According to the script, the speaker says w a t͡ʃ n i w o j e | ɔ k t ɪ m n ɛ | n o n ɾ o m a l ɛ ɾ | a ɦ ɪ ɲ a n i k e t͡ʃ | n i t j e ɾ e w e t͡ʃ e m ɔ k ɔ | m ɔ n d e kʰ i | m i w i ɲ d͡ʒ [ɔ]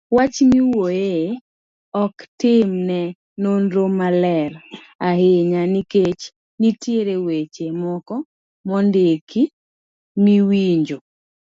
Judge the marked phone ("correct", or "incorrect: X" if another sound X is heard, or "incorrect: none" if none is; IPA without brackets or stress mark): incorrect: o